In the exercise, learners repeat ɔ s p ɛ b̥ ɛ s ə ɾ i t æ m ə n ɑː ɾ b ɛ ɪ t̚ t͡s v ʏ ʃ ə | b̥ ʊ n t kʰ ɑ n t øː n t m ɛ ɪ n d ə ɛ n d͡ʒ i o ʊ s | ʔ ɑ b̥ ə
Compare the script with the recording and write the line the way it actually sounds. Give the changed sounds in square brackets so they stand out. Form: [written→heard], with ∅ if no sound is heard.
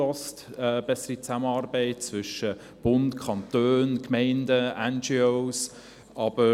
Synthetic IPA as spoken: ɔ s [p→t] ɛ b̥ ɛ s ə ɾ i [t→t͡s] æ m ə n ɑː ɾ b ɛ ɪ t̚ t͡s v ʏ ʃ ə | b̥ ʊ n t kʰ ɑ n t øː n [t→k] m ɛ ɪ n d ə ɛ n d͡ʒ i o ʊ s | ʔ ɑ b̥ ə

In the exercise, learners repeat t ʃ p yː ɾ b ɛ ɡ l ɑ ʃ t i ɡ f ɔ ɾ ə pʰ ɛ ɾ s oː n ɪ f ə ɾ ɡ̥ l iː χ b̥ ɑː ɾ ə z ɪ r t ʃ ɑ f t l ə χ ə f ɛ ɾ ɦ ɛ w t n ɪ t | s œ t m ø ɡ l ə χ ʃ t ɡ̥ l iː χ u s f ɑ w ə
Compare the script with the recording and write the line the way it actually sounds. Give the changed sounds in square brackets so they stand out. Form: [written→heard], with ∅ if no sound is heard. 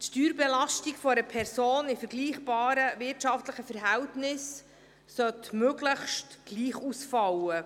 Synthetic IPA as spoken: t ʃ [p→t] yː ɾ b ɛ [ɡ→∅] l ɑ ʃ t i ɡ f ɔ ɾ ə pʰ ɛ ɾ s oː n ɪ f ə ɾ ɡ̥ l iː χ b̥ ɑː ɾ ə [z→v] ɪ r t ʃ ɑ f t l ə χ ə f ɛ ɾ ɦ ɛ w t n ɪ [t→s] | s œ t m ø ɡ l ə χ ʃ t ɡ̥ l iː χ u s f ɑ w ə

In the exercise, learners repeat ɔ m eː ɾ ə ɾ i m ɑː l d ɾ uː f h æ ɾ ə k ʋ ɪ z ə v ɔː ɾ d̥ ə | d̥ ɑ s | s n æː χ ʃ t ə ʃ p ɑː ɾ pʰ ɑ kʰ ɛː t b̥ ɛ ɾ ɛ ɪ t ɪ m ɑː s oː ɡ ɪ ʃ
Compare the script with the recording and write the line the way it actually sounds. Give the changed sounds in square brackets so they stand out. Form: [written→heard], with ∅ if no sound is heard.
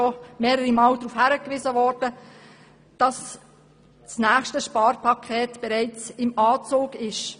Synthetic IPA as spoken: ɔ m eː ɾ ə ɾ i m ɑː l d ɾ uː f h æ ɾ ə k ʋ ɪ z ə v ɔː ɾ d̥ ə | d̥ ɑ s | s n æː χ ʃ t ə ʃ p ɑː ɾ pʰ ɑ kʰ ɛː t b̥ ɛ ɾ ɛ ɪ [t→t͡s] ɪ m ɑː [s→t͡s] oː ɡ ɪ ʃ

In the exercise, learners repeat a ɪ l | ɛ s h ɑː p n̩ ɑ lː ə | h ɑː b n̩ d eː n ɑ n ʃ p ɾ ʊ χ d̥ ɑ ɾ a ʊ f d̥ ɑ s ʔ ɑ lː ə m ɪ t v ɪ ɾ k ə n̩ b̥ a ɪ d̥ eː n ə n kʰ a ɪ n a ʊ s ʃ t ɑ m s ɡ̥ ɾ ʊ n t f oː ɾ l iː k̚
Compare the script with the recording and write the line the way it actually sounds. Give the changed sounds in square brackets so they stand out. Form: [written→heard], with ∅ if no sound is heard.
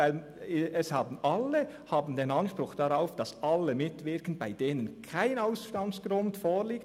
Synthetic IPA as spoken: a ɪ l | ɛ s h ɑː [p→b] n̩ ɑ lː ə | h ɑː b n̩ d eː n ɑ n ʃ p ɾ ʊ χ d̥ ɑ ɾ a ʊ f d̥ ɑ s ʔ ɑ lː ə m ɪ t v ɪ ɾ k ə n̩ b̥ a ɪ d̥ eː n ə n kʰ a ɪ n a ʊ s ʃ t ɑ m s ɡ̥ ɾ ʊ n t f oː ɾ l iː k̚

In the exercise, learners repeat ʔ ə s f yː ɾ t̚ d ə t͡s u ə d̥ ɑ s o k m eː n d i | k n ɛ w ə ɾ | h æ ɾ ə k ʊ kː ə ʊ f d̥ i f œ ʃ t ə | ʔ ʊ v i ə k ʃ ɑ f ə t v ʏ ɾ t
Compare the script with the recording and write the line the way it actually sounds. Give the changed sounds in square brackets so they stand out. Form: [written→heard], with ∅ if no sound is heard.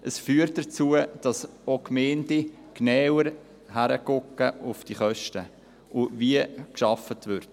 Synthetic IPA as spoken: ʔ ə s f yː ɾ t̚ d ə t͡s u ə d̥ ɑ s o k m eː n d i | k n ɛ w ə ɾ | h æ ɾ ə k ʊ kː ə ʊ f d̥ i [f→χ] œ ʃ t ə | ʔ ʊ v i ə k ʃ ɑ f ə t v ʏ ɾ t

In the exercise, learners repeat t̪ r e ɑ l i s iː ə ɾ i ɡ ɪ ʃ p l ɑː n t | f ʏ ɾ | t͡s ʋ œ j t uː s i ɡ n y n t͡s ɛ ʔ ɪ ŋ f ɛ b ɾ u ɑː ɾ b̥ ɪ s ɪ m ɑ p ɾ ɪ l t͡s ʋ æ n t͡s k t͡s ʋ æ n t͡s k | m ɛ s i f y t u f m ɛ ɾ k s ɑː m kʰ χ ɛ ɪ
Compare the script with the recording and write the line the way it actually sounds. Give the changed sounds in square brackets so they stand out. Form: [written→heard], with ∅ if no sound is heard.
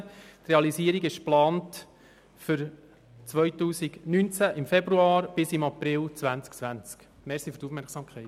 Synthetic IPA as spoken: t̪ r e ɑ l i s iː ə ɾ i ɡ ɪ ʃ p l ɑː n t | f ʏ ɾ | t͡s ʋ œ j t uː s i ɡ n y n t͡s [ɛ→æ] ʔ ɪ [ŋ→m] f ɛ b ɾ u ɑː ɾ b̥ ɪ s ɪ m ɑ p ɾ ɪ l t͡s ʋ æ n t͡s k t͡s ʋ æ n t͡s k | m ɛ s i f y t u f m ɛ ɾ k s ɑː m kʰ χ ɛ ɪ

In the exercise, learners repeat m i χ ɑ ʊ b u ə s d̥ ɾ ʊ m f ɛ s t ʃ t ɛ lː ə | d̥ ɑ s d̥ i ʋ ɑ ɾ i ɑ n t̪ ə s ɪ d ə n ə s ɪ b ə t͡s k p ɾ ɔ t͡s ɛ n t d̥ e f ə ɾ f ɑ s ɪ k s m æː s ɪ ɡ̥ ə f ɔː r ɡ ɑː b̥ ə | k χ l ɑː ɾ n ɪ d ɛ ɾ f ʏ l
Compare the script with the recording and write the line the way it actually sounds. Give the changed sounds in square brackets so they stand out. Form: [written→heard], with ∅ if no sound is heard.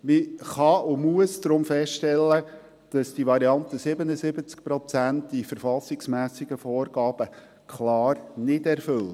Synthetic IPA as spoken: m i χ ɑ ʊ [b→m] u ə s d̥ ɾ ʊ m f ɛ s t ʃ t ɛ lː ə | d̥ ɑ s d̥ i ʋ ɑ ɾ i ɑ n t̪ ə s ɪ [d→b] ə n ə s ɪ b ə t͡s k p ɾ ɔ t͡s [ɛ→æ] n t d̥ [e→i] f ə ɾ f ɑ s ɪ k s m æː s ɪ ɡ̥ ə f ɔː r ɡ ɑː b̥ ə | k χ l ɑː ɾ n ɪ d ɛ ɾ f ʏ l

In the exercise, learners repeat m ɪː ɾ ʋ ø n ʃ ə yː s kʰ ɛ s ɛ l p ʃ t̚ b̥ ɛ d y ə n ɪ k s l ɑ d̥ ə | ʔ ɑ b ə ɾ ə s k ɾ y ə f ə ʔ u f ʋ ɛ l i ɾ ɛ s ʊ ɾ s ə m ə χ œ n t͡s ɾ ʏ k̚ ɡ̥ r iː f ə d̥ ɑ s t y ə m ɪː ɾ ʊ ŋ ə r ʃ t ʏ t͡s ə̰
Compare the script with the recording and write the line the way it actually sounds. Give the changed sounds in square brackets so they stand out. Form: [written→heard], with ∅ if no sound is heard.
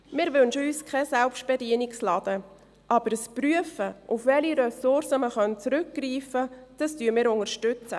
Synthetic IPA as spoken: m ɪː ɾ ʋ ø n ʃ ə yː s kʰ ɛ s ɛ l p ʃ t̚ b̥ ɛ d [y→i] ə n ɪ k s l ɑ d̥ ə | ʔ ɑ b ə ɾ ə s [k→p] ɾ y ə f ə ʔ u f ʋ ɛ l i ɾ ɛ s ʊ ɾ s ə m ə χ œ n t͡s ɾ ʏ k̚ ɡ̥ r iː f ə d̥ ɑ s t y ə m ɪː ɾ ʊ ŋ ə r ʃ t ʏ t͡s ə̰

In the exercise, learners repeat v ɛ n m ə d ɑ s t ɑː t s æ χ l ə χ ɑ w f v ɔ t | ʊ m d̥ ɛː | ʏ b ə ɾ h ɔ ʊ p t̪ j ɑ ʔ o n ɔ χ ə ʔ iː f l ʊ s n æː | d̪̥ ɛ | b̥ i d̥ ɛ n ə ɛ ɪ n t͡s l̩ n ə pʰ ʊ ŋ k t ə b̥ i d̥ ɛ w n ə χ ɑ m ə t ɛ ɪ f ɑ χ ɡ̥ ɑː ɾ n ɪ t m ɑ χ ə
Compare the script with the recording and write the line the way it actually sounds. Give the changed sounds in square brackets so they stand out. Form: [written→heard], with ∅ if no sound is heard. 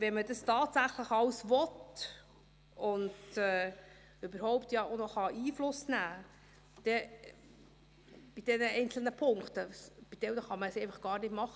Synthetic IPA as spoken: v ɛ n m ə d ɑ s t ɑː t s æ χ l ə χ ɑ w [f→s] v ɔ t | ʊ [m→n] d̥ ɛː | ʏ b ə ɾ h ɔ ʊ p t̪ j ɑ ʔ o n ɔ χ [ə→ɑ] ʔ iː f l ʊ s n æː | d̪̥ ɛ | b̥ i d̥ ɛ n ə ɛ ɪ n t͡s l̩ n ə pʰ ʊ ŋ k t ə b̥ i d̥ ɛ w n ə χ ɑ m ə [t→s] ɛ ɪ f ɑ χ ɡ̥ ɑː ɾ n ɪ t m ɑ χ ə

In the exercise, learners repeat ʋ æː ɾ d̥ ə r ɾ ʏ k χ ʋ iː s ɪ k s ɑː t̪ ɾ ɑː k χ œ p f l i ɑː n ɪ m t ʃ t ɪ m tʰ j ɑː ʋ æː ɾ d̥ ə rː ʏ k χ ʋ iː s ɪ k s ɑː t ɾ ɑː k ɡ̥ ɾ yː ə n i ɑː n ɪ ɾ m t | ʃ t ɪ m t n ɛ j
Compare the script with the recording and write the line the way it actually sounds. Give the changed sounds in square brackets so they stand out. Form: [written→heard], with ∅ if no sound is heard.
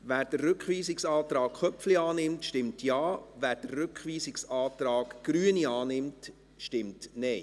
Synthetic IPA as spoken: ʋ æː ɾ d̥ ə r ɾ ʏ k χ ʋ iː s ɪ k s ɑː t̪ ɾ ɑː k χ œ p f l i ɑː n ɪ m t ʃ t ɪ m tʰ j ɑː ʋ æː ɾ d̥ ə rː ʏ k χ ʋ iː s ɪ k s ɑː t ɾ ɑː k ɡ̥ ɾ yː ə n i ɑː n ɪ [ɾ→∅] m t | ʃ t ɪ m t n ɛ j

